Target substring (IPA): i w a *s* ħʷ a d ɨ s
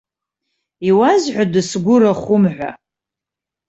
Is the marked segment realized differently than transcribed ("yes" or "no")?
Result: yes